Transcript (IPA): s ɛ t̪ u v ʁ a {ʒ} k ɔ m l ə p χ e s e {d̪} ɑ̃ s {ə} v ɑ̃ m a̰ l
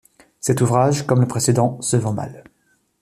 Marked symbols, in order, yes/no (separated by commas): yes, yes, yes